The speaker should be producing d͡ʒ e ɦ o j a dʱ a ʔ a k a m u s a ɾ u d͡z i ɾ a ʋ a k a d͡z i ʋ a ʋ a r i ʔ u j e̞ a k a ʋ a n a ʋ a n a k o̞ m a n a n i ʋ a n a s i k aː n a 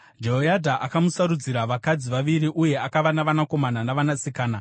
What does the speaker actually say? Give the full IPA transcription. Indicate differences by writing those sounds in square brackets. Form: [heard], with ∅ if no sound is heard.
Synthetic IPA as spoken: d͡ʒ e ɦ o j a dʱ a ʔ a k a m u s a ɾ u d͡z i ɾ a ʋ a k a d͡z i ʋ a ʋ [i] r i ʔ u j e̞ a k a ʋ a n a ʋ a n a k o̞ m a n a n [a] ʋ a n a s i k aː n a